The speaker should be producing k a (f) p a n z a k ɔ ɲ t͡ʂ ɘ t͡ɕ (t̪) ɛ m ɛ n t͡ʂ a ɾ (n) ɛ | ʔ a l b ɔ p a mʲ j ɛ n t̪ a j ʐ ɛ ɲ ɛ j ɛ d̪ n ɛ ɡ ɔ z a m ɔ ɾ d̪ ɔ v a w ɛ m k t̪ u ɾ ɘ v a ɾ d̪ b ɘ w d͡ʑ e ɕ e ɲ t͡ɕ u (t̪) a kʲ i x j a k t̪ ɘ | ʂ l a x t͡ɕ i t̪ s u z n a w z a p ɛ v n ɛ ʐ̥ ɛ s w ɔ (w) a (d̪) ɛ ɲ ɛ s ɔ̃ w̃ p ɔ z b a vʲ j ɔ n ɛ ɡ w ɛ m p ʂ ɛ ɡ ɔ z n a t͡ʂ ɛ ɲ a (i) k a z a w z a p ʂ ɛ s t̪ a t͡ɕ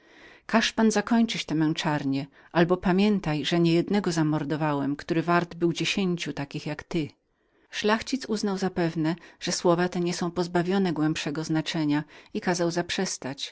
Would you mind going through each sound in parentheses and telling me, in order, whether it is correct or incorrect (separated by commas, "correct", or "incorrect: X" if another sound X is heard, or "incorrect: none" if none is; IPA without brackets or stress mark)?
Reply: incorrect: ʂ, correct, incorrect: ɲ, correct, incorrect: v, incorrect: t̪, correct